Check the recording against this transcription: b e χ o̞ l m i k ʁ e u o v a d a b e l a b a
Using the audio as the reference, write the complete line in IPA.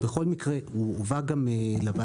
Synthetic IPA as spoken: b e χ o̞ l m i k ʁ e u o v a ɡ a m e l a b a